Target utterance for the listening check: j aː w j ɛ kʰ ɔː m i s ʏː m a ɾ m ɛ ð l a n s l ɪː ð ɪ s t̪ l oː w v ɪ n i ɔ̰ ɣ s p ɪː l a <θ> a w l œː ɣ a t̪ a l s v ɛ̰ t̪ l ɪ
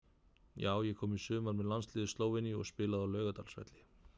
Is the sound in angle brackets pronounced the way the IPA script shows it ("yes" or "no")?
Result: no